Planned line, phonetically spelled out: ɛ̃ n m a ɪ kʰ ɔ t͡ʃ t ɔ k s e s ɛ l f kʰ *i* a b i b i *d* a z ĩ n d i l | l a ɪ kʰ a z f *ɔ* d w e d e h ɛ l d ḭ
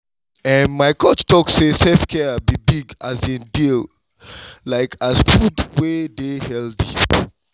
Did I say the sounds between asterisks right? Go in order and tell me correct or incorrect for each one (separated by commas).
incorrect, incorrect, incorrect